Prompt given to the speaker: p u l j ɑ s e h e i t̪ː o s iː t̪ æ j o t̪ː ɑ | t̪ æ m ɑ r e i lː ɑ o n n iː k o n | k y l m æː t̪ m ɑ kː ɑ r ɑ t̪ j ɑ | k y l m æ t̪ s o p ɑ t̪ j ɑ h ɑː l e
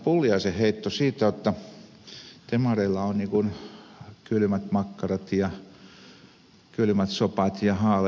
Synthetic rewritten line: p u l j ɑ s e h e i t̪ː o s iː t̪ æ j o t̪ː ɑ | t̪ e m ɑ r e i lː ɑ o n n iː k u n | k y l m æ t̪ m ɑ kː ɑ r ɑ t̪ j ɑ | k y l m æ t̪ s o p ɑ t̪ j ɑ h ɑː l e